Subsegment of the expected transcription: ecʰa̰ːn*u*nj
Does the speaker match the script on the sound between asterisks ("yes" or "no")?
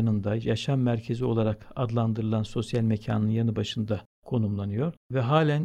no